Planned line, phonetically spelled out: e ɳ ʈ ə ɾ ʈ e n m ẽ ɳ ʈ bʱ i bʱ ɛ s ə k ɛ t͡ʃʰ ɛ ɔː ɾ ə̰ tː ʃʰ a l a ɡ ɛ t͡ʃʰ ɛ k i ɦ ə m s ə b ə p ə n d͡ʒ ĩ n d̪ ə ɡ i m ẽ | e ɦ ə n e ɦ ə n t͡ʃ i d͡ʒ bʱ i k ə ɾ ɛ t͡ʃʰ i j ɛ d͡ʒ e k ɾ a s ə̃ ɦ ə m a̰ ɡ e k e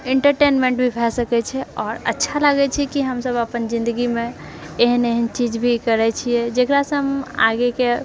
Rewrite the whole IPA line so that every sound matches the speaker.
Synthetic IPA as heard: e ɳ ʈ ə ɾ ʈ e n m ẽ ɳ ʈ bʱ i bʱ ɛ s ə k ɛ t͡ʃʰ ɛ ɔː ɾ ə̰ tː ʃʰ a l a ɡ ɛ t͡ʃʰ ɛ k i ɦ ə m s ə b ə p ə n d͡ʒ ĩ n d̪ ə ɡ i m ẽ | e ɦ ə n e ɦ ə n t͡ʃ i d͡ʒ bʱ i k ə ɾ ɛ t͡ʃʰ i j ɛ d͡ʒ e k ɾ a s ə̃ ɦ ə m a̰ ɡ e k e